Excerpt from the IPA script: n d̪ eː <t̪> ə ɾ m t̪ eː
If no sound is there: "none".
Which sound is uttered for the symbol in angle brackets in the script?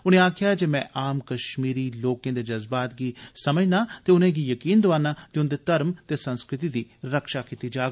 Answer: t̪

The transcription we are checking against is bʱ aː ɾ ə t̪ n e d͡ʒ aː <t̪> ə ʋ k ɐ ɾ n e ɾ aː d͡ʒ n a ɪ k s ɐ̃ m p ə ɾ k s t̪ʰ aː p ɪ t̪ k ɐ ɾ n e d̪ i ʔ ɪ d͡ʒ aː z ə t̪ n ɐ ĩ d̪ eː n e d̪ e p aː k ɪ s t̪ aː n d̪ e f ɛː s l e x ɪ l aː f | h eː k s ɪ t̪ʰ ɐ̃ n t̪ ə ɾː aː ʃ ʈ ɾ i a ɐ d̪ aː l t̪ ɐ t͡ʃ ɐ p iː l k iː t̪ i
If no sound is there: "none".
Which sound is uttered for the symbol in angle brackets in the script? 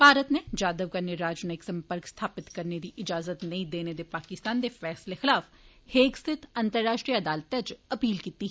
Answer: d̪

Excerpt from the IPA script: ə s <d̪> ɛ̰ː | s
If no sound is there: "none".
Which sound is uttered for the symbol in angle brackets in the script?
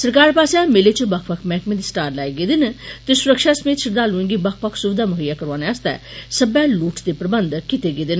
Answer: t̪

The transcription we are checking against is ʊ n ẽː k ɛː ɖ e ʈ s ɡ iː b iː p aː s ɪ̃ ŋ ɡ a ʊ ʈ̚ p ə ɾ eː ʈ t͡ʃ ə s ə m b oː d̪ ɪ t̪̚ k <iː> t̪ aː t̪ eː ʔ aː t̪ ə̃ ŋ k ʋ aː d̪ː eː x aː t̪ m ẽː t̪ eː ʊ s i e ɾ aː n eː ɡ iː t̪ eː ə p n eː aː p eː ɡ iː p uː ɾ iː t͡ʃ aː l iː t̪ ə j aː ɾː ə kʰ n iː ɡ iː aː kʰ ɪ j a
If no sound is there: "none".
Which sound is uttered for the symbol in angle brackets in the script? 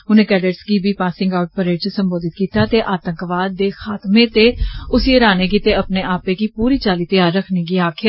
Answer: iː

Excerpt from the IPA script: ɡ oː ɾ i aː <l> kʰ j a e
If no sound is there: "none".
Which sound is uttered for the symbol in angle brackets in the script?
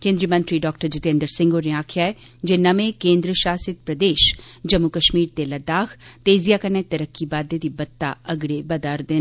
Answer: none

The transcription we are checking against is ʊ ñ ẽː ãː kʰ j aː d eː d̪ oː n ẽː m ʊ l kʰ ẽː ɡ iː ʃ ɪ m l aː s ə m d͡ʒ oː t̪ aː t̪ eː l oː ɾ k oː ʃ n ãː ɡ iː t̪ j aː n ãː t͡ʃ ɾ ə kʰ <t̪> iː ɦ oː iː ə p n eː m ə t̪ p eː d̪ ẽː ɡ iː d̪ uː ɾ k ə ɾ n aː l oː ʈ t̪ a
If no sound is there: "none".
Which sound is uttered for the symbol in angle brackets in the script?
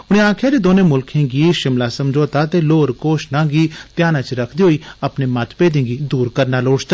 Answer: d̪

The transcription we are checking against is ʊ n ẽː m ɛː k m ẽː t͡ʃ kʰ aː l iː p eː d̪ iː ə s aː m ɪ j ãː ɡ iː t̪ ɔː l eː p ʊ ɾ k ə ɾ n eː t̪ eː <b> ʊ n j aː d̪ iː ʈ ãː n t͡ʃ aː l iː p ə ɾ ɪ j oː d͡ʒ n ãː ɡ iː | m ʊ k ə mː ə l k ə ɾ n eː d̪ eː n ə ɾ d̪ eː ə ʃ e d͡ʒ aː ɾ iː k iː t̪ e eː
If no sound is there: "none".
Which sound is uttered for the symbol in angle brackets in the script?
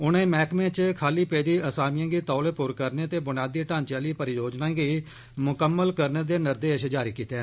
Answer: b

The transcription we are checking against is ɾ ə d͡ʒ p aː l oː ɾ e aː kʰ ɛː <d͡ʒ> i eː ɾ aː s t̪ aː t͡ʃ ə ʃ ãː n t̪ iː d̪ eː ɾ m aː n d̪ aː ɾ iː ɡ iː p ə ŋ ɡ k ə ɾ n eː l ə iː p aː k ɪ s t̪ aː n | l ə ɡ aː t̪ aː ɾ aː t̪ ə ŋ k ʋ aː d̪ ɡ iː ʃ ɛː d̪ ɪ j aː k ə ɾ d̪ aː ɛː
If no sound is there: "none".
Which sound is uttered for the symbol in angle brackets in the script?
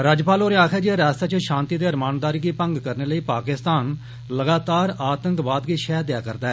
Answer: d͡ʒ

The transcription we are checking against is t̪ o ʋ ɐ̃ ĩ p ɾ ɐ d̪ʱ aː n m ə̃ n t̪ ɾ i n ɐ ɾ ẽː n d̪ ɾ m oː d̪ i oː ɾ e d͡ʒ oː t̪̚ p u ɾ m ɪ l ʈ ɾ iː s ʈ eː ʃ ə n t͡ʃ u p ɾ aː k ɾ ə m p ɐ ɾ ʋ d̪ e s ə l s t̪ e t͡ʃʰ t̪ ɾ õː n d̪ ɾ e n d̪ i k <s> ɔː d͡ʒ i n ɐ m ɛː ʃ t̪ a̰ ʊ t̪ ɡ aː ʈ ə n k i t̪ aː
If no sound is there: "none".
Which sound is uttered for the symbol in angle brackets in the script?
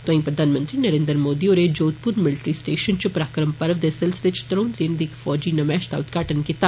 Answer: f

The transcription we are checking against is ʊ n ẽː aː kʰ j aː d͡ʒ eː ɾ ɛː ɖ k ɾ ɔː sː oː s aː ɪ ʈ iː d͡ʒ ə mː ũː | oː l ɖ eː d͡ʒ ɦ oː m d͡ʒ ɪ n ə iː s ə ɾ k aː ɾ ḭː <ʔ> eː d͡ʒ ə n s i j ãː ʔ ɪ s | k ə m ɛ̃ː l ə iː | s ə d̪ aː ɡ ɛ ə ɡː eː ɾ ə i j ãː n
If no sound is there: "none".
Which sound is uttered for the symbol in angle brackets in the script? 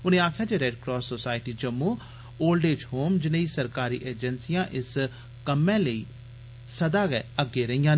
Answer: ʔ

